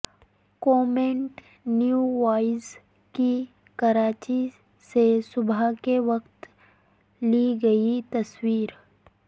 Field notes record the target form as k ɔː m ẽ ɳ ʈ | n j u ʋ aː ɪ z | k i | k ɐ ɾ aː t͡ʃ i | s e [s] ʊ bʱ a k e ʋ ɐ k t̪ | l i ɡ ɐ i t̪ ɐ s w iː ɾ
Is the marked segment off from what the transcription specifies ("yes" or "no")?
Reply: no